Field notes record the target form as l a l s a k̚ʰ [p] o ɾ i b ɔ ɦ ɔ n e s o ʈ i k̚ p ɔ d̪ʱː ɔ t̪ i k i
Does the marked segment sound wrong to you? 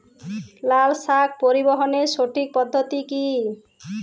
no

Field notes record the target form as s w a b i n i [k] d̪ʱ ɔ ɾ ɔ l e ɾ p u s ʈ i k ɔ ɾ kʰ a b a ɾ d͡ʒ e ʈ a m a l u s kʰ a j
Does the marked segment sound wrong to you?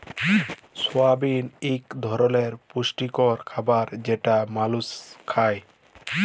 no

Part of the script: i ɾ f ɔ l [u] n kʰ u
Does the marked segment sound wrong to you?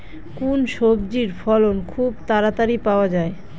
yes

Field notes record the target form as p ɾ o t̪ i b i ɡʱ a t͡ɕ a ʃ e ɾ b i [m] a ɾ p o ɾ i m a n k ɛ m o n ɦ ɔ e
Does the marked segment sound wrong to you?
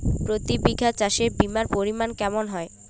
no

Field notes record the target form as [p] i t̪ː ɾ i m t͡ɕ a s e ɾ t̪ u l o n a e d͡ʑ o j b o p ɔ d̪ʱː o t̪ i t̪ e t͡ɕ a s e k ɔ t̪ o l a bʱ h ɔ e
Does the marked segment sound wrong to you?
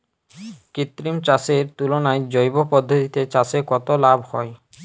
yes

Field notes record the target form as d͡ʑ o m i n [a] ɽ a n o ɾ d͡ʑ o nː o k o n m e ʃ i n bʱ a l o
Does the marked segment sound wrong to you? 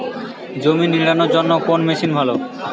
yes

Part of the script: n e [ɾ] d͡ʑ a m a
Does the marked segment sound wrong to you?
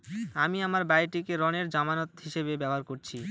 no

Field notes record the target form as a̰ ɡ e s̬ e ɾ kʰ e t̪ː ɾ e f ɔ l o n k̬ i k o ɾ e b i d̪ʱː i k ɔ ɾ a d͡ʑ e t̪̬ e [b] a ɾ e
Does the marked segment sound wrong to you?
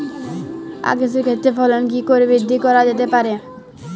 yes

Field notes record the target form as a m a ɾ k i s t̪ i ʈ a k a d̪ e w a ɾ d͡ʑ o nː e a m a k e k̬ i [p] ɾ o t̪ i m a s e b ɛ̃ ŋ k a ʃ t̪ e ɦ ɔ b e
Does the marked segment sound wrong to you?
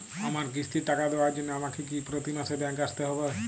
no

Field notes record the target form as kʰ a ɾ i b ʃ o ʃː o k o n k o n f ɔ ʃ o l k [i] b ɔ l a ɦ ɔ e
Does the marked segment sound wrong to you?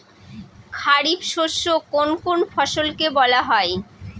yes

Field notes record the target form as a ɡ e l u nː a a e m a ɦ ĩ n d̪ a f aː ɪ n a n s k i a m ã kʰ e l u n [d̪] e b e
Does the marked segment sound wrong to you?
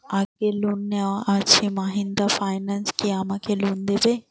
no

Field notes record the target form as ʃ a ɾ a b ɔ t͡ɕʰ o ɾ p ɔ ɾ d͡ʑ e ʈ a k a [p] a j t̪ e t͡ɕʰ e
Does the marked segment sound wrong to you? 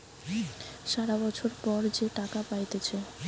no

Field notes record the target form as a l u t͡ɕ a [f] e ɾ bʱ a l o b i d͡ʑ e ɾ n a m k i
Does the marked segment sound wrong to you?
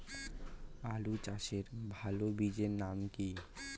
yes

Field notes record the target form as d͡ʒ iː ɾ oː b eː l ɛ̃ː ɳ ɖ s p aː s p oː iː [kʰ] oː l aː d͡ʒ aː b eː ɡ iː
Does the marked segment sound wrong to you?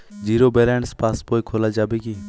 no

